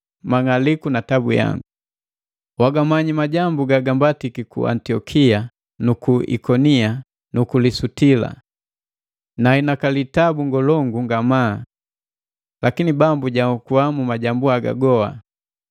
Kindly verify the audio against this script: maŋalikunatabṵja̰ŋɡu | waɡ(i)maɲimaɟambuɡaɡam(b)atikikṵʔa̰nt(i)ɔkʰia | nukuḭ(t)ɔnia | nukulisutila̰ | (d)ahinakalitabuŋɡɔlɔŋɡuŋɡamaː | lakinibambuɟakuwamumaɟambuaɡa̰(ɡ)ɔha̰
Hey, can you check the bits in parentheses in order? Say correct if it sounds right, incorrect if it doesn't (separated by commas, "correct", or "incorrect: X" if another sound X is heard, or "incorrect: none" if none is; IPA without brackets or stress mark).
incorrect: a, correct, correct, incorrect: k, incorrect: n, correct